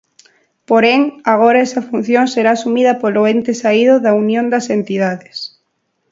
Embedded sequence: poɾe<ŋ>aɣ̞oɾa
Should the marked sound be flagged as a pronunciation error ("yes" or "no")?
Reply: no